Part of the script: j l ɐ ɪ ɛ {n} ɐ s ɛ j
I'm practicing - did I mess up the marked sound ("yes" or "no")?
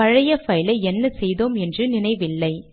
yes